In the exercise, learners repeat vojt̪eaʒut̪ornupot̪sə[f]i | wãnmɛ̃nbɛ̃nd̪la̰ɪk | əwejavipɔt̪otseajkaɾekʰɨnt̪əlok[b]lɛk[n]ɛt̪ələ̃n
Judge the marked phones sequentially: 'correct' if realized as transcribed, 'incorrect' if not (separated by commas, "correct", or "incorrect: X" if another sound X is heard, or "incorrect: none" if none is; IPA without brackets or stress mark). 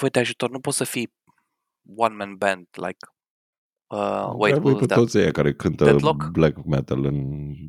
correct, correct, incorrect: m